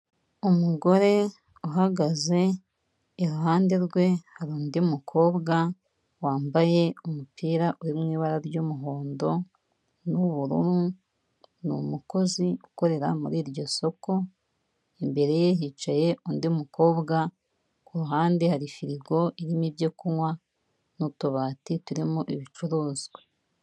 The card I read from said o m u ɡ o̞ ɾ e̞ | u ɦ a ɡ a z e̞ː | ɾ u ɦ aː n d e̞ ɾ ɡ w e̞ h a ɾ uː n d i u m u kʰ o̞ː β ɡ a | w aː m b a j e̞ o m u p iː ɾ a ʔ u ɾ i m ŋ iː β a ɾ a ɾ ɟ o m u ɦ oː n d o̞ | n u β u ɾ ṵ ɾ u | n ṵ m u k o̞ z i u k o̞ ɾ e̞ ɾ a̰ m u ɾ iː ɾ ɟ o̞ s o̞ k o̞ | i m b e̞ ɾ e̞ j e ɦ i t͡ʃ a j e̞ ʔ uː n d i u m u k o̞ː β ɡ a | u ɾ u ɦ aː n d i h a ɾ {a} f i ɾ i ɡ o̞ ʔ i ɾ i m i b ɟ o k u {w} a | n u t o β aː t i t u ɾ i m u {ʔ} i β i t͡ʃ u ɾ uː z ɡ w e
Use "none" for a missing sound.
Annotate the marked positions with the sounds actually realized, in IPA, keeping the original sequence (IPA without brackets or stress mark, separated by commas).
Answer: i, w, ʔ